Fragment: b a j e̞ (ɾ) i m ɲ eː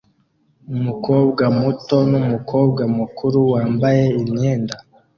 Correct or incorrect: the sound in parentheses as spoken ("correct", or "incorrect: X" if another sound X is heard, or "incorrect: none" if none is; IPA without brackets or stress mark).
incorrect: none